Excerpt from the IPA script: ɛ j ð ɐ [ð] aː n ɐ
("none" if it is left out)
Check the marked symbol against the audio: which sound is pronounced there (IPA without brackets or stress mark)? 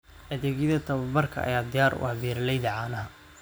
ʕ